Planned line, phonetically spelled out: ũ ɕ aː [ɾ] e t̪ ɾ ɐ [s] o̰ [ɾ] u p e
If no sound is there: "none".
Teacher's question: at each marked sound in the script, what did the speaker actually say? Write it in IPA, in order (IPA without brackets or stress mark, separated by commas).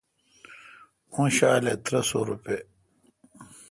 l, s, ɾ